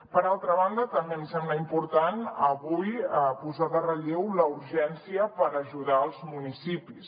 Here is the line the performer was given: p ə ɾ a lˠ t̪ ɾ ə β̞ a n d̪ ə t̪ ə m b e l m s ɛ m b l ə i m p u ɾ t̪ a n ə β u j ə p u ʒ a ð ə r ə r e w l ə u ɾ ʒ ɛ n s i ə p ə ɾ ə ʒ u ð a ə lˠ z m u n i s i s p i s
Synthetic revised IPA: p ə ɾ a lˠ t̪ ɾ ə β̞ a n d̪ ə t̪ ə m b e m s ɛ m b l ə i m p u ɾ t̪ a n ə β u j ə p u z a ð ə r ə ʎ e w l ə u ɾ ʒ ɛ n s i ə p ə ɾ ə ʒ u ð a ə lˠ z m u n i s i p i s